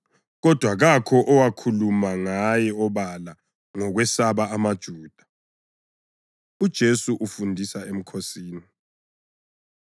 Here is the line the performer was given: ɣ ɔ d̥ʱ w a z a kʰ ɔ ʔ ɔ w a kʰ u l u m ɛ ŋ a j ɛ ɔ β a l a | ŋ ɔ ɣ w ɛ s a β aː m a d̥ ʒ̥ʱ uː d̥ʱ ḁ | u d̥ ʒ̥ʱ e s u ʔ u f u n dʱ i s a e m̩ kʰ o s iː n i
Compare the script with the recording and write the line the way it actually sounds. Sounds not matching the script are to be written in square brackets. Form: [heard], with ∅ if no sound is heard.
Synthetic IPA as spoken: ɣ ɔ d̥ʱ w a [ɣ] a kʰ ɔ ʔ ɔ w a kʰ u l u m [a] ŋ a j ɛ ɔ β a l a | ŋ ɔ ɣ w ɛ s a β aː m a d̥ ʒ̥ʱ uː d̥ʱ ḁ | u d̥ ʒ̥ʱ e s u ʔ u f u n dʱ i s a e m̩ kʰ o s iː n i

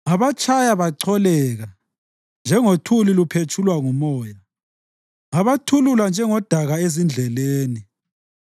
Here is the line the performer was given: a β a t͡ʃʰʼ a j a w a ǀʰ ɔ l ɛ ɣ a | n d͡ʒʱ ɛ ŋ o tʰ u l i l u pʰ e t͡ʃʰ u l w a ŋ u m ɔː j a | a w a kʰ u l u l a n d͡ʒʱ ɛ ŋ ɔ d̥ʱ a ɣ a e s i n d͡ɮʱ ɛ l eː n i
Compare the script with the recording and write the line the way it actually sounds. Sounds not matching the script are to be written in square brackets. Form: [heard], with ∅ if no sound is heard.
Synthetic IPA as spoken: a β a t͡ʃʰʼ a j a [β] a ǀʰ ɔ l ɛ ɣ a | n d͡ʒʱ ɛ ŋ o tʰ u l i l u pʰ e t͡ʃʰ u l w a ŋ u m ɔː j a | a [β] a [tʰ] u l u l a n d͡ʒʱ ɛ ŋ ɔ d̥ʱ a ɣ a e [z] i n d͡ɮʱ ɛ l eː n i

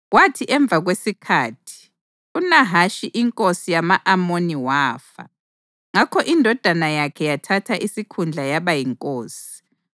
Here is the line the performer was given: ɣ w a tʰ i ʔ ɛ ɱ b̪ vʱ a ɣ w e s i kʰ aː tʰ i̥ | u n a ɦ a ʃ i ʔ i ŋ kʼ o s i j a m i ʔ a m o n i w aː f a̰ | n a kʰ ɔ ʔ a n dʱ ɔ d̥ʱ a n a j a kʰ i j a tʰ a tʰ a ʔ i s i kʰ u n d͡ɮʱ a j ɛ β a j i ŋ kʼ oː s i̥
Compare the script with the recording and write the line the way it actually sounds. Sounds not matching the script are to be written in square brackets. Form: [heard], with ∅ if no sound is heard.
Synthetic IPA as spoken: ɣ w a tʰ i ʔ ɛ ɱ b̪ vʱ a ɣ w e s i kʰ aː tʰ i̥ | u n a ɦ a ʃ i ʔ i ŋ kʼ o s i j a m [a] ʔ a m o n i w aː f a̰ | [ŋ] a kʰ ɔ ʔ [i] n dʱ ɔ d̥ʱ a n a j a kʰ [ɛ] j a tʰ a tʰ a ʔ i s i kʰ u n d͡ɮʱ a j [a] β a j i ŋ kʼ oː s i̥

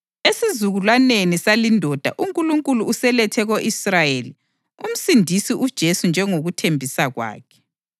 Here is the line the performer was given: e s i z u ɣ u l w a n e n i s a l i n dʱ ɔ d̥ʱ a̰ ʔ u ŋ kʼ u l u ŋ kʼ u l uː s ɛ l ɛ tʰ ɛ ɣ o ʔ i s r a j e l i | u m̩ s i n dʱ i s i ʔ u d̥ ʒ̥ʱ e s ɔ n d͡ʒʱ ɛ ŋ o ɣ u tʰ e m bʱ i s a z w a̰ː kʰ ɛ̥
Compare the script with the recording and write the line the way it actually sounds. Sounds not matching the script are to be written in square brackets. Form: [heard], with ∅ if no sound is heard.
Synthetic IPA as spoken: e s i z u ɣ u l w a n e n i s a l i n dʱ ɔ d̥ʱ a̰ ʔ u ŋ kʼ u l u ŋ kʼ u l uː s ɛ l ɛ tʰ ɛ ɣ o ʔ i s r a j e l i | u m̩ s i n dʱ i s i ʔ u d̥ ʒ̥ʱ e s [u] n d͡ʒʱ ɛ ŋ o ɣ u tʰ e m bʱ i s a [ɣ] w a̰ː kʰ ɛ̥

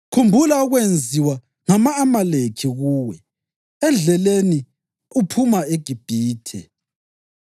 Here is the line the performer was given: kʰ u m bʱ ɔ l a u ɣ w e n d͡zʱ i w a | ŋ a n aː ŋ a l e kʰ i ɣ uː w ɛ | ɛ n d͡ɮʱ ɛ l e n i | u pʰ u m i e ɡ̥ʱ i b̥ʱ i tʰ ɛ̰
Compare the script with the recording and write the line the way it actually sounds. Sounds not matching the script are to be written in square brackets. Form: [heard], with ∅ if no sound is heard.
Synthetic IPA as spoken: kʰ u m bʱ [u] l a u ɣ w e n d͡zʱ i w a | ŋ a [m] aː [m] a l e kʰ i ɣ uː w ɛ | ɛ n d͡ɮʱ ɛ l e n i | u pʰ u m [a] e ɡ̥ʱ i b̥ʱ [iː] tʰ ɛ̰

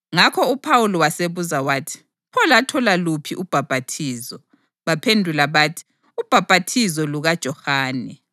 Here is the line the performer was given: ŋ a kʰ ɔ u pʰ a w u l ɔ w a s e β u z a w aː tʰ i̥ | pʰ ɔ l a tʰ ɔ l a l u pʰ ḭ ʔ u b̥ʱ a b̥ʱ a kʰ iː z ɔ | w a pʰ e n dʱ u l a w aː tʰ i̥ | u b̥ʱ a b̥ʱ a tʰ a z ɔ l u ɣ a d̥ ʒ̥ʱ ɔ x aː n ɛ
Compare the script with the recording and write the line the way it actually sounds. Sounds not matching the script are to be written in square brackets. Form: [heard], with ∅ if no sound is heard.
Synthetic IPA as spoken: ŋ a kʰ ɔ u pʰ a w u l ɔ w a s e β u z a w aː tʰ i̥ | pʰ ɔ l a tʰ ɔ l a l u pʰ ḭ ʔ u b̥ʱ a b̥ʱ a [tʰ] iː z ɔ | [β] a pʰ e n dʱ u l a [β] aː tʰ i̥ | u b̥ʱ a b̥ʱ a tʰ [i] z ɔ l u ɣ a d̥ ʒ̥ʱ ɔ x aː n ɛ

